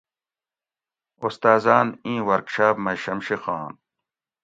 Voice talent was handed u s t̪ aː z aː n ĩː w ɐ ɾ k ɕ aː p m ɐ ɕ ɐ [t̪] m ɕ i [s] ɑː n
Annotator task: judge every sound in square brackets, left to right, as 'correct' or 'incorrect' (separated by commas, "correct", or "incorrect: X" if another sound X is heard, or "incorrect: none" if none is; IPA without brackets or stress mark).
incorrect: none, incorrect: x